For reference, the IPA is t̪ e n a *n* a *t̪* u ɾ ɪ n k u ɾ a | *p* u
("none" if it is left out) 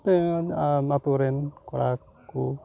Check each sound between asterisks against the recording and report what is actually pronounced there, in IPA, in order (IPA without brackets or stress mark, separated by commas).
m, t̪, k